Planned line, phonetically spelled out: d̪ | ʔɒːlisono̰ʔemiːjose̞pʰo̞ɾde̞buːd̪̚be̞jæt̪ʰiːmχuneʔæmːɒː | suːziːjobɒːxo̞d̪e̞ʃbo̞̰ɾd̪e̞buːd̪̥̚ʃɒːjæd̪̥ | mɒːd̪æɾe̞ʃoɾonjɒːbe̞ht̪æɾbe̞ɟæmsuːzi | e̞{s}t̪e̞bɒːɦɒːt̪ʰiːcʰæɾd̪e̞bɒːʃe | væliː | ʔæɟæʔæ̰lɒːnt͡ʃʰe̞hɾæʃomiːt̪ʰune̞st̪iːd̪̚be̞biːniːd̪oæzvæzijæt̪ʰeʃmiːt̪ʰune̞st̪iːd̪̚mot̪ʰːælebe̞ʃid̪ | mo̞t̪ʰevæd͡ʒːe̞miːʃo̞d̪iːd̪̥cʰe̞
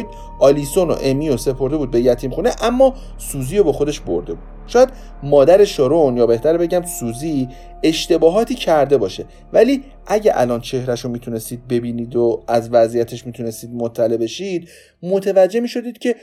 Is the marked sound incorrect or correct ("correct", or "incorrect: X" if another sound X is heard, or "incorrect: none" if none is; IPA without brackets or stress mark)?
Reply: incorrect: ʃ